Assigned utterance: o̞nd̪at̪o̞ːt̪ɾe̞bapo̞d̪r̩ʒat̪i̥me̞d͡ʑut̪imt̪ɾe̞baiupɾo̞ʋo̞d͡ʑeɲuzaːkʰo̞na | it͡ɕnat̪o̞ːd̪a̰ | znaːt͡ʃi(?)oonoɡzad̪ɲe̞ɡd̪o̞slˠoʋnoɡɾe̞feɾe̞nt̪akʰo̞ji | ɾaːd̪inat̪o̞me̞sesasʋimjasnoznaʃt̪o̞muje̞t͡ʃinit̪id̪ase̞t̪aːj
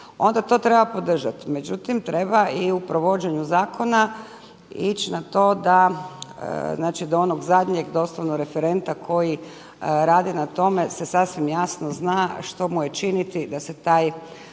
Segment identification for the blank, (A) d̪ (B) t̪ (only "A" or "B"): A